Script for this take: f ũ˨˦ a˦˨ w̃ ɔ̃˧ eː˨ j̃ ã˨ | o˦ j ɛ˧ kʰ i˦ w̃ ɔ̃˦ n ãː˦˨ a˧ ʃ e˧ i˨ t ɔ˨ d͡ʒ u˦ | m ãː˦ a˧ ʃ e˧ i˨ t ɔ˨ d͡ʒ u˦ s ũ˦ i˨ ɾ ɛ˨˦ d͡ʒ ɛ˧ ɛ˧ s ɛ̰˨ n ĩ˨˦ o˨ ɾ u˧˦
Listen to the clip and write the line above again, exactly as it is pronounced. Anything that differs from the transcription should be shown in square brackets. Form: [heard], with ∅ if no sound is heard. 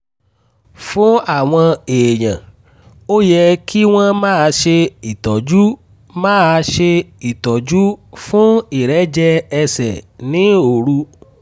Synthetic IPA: f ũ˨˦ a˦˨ w̃ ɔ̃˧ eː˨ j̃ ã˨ | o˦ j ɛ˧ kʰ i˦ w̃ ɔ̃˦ [m] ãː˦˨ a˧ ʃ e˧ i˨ t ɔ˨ d͡ʒ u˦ | m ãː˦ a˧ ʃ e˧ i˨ t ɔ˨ d͡ʒ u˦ [f] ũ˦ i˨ ɾ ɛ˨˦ d͡ʒ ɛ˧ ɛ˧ s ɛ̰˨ n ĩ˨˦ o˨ ɾ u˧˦